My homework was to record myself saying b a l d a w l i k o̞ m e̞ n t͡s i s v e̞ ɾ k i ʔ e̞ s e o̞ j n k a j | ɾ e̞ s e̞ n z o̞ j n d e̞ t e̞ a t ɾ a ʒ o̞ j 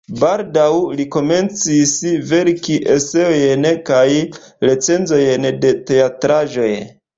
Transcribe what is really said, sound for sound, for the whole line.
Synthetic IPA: b a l d a w l i k o̞ m e̞ n t͡s i s v e̞ ɾ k i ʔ e̞ s e o̞ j n k a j | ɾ e̞ t͡s e̞ n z o̞ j n d e̞ t e̞ a t ɾ a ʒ o̞ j